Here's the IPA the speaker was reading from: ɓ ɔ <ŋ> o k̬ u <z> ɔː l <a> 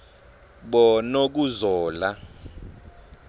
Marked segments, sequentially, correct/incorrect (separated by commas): incorrect, correct, correct